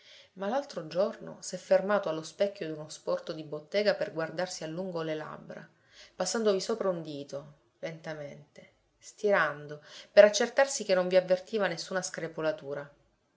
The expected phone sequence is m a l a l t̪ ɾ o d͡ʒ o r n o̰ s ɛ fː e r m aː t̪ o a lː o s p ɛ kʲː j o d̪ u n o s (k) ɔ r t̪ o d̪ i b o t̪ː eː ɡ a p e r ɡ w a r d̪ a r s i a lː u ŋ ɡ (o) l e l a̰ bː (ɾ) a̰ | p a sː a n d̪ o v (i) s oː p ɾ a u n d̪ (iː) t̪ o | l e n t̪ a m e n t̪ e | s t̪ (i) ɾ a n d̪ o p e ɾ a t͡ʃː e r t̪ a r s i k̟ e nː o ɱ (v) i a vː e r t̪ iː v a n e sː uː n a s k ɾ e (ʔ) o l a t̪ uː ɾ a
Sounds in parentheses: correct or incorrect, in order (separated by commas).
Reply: incorrect, correct, correct, correct, correct, correct, correct, incorrect